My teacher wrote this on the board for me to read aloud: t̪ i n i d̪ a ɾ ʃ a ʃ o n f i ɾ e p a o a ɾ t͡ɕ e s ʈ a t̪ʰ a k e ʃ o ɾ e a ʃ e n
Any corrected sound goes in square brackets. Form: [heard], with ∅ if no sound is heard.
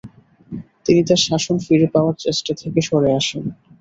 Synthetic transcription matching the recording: t̪ i n i [t̪] a ɾ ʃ a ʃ o n f i ɾ e p a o a ɾ t͡ɕ e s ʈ a t̪ʰ [e] k e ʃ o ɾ e a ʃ e n